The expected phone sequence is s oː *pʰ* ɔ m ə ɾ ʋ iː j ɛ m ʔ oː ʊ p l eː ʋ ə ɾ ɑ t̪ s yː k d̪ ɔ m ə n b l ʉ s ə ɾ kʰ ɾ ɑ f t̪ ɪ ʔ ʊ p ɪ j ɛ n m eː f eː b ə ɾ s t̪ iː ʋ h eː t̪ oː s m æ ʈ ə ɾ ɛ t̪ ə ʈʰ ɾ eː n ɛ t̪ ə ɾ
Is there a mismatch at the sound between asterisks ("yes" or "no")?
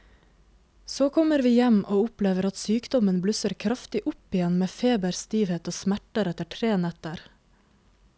yes